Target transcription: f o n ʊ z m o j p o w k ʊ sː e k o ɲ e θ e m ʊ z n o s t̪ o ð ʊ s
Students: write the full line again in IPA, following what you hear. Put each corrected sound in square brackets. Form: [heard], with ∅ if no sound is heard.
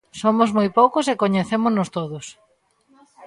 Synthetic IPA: [s] o [m] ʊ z m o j p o w k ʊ [s] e k o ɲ e θ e m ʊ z n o s t̪ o ð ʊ s